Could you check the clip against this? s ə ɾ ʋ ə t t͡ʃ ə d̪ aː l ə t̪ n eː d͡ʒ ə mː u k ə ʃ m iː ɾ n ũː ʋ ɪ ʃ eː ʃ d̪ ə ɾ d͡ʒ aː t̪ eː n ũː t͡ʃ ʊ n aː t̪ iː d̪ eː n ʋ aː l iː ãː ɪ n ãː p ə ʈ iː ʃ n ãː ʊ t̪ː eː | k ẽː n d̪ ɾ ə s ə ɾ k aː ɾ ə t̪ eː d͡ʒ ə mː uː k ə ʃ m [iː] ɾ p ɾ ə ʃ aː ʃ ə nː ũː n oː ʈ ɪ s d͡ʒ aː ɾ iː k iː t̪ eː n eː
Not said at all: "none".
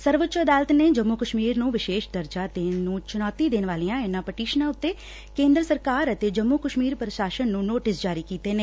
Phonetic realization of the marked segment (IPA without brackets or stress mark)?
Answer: iː